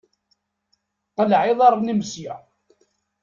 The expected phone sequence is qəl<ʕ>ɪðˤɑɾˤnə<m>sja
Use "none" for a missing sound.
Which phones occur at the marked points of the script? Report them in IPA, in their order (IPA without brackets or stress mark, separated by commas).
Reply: ʕ, m